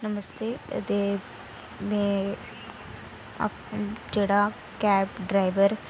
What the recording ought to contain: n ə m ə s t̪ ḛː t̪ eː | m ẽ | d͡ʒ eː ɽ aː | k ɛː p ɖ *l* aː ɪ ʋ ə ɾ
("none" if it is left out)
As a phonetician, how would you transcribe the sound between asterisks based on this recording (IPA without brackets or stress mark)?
ɾ